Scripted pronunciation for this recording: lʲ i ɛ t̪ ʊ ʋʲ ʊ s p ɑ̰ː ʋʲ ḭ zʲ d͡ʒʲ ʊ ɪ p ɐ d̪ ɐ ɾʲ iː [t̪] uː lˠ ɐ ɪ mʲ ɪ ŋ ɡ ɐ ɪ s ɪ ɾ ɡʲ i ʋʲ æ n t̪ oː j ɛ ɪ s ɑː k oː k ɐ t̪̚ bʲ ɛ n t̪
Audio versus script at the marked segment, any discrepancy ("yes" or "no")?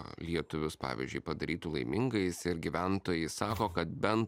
no